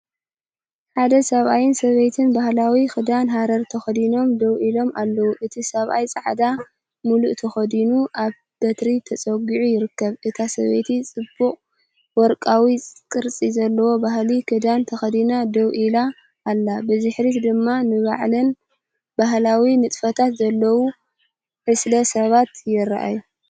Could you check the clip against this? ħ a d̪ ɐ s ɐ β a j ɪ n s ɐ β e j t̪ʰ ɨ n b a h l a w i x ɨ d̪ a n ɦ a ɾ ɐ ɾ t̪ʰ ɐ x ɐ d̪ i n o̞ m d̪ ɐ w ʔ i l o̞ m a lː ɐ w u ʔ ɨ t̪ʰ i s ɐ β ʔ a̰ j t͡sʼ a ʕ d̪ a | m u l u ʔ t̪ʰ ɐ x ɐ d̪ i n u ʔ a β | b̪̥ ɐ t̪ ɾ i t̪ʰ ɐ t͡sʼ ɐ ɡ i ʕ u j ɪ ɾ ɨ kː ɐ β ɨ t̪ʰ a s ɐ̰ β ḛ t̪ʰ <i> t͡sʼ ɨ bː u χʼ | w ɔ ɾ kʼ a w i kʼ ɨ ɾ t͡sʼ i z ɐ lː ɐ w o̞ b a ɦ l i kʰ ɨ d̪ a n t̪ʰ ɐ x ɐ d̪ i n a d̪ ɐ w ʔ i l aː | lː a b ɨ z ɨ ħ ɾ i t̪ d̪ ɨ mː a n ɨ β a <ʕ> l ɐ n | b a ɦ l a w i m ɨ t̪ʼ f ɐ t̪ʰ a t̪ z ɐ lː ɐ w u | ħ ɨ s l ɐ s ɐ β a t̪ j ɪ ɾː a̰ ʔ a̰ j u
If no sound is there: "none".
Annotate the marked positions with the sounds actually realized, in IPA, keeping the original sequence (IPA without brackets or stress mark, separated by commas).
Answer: i, ʕ